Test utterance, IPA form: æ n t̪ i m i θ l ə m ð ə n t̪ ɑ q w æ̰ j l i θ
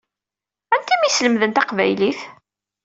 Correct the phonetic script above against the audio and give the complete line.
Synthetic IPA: æ n t̪ i m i s l ə m ð ə n t̪ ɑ q v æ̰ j l i θ